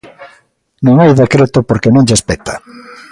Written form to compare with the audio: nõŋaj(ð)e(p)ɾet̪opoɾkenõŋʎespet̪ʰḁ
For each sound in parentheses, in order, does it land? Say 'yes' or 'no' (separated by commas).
yes, no